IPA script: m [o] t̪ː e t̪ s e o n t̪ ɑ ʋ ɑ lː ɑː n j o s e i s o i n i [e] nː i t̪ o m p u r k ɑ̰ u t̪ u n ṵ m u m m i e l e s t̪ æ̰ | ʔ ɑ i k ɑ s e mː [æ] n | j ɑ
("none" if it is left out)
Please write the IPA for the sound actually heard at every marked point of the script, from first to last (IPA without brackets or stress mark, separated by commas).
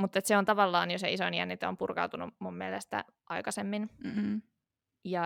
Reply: u, æ, i